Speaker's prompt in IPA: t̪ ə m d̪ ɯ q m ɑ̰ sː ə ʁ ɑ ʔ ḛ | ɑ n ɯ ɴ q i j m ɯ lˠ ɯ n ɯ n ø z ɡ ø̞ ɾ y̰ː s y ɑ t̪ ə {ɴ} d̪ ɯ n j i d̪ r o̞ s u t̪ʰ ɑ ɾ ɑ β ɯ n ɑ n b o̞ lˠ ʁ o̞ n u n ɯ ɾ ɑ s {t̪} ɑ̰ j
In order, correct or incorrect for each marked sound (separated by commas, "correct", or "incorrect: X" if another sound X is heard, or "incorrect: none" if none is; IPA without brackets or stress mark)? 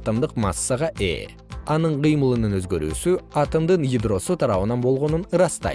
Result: incorrect: m, correct